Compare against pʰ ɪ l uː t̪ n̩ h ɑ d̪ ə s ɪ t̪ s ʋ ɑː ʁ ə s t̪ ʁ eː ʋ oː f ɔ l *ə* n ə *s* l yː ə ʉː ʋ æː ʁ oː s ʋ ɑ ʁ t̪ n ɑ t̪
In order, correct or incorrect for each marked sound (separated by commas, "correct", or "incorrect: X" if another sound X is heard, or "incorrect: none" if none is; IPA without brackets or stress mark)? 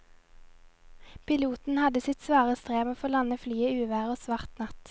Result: incorrect: ɑ, incorrect: f